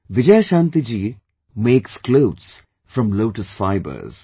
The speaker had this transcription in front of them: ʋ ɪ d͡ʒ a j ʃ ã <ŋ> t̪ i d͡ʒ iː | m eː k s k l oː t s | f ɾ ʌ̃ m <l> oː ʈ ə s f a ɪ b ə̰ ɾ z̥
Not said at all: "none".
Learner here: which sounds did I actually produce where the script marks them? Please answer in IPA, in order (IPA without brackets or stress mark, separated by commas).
n, l